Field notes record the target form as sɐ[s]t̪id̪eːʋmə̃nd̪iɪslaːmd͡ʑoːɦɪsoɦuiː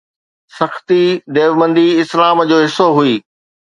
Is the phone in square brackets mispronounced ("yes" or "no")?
yes